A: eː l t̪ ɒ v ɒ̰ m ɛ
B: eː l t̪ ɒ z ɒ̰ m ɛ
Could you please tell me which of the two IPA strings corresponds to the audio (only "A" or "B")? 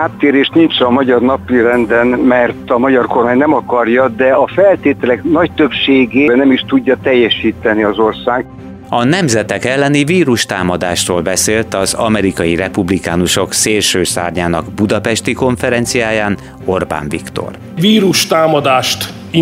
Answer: B